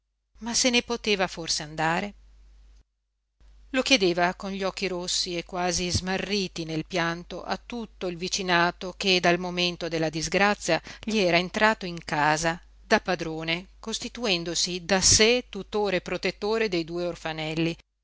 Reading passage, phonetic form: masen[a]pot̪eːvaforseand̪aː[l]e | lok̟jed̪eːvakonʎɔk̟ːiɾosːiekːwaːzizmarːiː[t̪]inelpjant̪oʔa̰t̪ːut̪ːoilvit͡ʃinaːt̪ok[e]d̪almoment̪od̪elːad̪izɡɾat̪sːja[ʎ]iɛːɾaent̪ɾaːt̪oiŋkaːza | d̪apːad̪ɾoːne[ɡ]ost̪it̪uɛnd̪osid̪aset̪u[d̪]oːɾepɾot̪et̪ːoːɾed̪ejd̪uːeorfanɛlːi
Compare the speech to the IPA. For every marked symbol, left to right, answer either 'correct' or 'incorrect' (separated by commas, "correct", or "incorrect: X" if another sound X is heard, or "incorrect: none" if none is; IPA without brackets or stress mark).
incorrect: e, incorrect: ɾ, correct, correct, correct, incorrect: k, incorrect: t̪